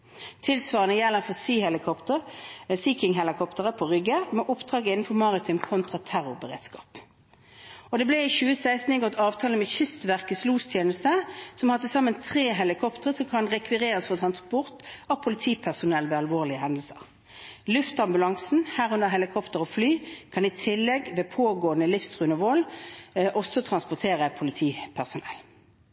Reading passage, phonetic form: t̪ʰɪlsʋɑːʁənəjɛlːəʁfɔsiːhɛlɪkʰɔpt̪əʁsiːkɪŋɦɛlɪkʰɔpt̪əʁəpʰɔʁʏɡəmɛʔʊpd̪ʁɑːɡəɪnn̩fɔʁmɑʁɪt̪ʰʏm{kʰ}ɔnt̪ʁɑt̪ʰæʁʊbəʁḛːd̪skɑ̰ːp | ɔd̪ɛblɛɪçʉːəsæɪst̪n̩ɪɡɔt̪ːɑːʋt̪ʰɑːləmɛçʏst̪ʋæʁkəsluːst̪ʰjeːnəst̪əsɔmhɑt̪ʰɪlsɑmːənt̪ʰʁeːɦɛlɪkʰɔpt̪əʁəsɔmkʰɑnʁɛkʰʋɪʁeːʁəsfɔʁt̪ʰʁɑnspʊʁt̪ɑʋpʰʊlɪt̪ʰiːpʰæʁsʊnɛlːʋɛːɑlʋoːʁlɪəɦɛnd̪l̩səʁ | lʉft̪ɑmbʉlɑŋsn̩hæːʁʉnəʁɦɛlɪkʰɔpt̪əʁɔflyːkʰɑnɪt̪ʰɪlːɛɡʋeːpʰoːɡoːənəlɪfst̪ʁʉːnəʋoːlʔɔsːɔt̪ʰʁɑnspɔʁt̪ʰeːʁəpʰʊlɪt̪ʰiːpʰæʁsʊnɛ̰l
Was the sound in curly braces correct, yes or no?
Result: yes